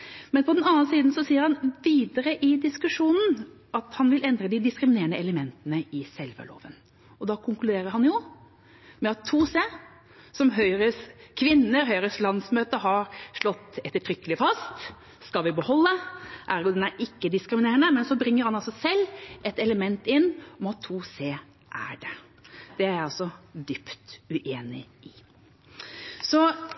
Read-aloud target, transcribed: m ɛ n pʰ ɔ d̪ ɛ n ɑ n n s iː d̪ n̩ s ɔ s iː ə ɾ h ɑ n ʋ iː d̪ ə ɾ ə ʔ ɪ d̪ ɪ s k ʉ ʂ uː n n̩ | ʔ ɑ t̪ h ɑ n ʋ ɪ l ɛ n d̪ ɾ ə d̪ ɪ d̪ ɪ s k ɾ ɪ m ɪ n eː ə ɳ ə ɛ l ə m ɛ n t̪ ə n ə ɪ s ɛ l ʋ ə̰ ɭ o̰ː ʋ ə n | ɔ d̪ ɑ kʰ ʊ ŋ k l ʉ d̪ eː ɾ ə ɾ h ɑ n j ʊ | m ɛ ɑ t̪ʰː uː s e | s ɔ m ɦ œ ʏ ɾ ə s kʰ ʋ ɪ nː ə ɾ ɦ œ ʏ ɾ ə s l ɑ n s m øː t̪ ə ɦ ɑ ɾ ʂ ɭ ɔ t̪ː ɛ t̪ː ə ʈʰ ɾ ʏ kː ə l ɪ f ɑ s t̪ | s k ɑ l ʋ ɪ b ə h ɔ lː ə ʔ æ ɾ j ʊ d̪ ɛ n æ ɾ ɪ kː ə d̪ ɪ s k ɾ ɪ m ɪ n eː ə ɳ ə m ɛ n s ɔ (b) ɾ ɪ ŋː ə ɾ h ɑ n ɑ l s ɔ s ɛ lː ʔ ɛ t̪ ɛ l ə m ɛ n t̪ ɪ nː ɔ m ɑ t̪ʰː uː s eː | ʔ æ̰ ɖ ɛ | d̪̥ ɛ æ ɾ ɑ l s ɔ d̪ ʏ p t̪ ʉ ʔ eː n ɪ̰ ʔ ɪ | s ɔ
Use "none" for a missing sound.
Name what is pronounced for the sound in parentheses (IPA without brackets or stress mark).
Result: b